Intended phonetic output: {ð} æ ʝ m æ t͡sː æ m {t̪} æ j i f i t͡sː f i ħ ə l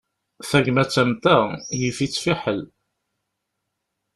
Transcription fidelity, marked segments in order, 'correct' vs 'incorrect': incorrect: θ, correct

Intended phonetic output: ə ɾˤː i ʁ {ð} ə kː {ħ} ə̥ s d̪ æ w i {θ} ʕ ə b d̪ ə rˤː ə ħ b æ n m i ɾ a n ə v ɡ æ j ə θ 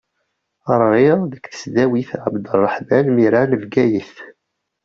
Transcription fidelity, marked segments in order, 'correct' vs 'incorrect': correct, incorrect: θ, correct

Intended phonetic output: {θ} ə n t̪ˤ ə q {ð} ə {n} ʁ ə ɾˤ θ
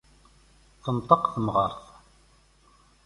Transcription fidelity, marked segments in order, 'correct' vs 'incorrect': correct, incorrect: θ, incorrect: m

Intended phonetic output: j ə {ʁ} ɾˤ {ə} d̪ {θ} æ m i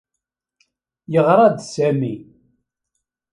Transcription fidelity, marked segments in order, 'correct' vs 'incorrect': correct, incorrect: ɑ, incorrect: s

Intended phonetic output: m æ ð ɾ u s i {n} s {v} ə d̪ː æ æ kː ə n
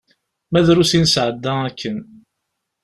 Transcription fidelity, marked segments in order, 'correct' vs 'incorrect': correct, incorrect: ʕ

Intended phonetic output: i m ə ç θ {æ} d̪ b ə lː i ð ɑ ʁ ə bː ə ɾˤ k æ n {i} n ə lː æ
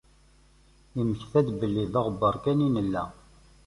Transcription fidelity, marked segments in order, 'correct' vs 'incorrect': correct, correct

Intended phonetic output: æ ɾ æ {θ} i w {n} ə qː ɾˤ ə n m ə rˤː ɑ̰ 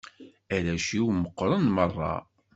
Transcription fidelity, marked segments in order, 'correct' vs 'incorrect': incorrect: ʃ, incorrect: m

